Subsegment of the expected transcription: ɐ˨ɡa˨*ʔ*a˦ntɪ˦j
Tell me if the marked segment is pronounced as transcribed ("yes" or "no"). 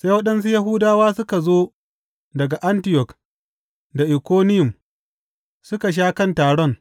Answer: yes